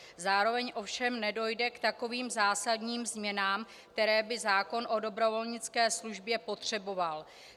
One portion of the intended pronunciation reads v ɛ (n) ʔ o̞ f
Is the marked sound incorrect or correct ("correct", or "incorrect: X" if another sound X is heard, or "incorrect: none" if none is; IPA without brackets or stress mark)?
incorrect: ɲ